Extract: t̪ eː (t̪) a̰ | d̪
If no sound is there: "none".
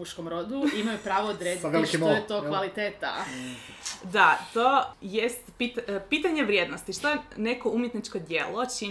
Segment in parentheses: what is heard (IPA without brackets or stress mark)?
t̪